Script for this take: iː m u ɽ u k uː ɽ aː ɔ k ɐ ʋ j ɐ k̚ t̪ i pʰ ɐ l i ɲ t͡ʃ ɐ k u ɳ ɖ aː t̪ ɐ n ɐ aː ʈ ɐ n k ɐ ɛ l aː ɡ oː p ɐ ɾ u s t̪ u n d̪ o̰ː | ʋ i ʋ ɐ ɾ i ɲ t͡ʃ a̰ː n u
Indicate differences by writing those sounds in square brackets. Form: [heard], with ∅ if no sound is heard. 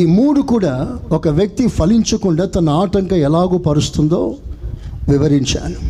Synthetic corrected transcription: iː m [uː] ɽ u k uː ɽ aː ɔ k ɐ ʋ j ɐ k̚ t̪ i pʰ ɐ l i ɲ t͡ʃ ɐ k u ɳ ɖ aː t̪ ɐ n ɐ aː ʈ ɐ [ŋ] k ɐ ɛ l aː ɡ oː p ɐ ɾ u s t̪ u n d̪ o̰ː | ʋ i ʋ ɐ ɾ i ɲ t͡ʃ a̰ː n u